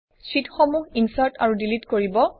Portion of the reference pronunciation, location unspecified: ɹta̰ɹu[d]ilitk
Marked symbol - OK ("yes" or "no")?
yes